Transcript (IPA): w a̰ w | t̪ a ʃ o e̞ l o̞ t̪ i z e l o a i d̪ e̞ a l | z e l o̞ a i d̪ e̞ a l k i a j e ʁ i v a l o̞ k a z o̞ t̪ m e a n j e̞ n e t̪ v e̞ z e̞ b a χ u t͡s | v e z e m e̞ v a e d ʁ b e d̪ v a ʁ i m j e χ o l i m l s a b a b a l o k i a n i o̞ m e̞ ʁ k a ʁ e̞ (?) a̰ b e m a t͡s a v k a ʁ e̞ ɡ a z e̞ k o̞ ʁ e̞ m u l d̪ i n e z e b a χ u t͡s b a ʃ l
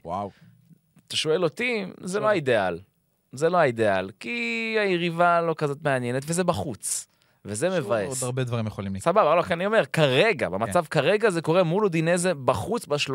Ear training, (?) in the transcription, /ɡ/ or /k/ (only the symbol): ɡ